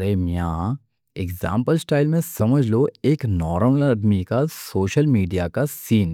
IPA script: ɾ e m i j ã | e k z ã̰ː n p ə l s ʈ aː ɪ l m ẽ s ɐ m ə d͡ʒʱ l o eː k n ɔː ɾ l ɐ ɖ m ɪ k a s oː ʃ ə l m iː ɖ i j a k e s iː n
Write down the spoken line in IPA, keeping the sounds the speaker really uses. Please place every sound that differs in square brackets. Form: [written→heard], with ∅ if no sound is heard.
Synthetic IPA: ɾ e m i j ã | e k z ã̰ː [n→m] p ə l s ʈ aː ɪ l m ẽ s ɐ m ə d͡ʒʱ l o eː k n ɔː ɾ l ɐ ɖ m [ɪ→i] k a s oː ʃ ə l m iː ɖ i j a k [e→a] s iː n